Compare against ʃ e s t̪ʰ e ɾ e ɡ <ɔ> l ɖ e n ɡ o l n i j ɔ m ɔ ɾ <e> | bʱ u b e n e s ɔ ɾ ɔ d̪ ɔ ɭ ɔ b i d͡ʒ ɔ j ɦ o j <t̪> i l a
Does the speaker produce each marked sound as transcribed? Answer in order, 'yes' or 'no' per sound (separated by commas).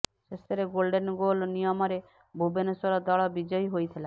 no, yes, no